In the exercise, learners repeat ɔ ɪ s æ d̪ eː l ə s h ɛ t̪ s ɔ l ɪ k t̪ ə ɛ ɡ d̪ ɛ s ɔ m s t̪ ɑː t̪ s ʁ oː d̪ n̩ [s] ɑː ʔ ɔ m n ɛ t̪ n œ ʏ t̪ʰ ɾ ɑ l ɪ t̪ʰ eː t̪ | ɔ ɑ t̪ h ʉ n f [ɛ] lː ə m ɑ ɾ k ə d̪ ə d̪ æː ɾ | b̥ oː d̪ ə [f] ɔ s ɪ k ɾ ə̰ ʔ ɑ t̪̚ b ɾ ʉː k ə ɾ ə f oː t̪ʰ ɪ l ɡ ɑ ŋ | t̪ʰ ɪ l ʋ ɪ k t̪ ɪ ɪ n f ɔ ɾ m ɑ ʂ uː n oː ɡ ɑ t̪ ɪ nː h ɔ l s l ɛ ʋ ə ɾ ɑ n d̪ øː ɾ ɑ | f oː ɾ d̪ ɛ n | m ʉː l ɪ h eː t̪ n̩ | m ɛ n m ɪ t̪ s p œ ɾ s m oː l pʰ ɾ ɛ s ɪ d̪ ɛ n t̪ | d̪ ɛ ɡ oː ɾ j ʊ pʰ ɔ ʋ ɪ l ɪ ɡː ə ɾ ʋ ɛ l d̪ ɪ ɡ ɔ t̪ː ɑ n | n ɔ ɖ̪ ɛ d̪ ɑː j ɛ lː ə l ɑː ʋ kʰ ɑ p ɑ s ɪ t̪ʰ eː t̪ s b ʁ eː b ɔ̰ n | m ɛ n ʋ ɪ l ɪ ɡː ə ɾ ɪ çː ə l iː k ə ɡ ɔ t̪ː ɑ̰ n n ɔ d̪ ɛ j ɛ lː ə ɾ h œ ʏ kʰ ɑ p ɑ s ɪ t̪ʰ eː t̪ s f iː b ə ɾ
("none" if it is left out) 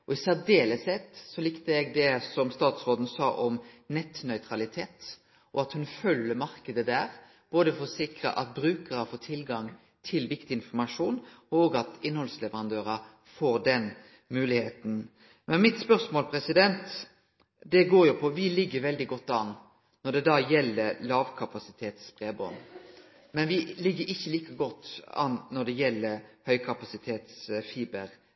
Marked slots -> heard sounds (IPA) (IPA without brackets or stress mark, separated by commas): s, œ, f